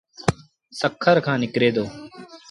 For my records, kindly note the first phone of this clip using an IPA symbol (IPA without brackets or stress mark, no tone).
s